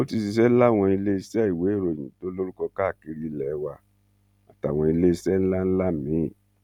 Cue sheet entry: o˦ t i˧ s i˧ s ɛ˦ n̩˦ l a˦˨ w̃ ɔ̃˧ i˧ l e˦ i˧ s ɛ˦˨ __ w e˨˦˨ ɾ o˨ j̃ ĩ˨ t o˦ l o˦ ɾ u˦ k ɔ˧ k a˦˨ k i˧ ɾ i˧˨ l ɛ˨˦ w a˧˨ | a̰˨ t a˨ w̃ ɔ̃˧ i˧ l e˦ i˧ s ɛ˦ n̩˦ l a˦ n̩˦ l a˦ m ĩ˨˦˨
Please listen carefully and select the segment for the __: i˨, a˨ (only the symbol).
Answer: i˨